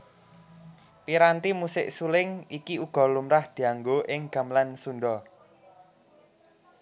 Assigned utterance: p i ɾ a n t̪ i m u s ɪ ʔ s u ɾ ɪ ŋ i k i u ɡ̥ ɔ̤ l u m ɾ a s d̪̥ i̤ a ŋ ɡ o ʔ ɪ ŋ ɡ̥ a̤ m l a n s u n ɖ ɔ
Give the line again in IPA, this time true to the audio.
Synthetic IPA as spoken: p i ɾ a n t̪ i m u s ɪ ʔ s u l ɪ ŋ i k i u ɡ̥ ɔ̤ l u m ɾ a h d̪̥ i̤ a ŋ ɡ o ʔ ɪ ŋ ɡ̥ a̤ m l a n s u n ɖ ɔ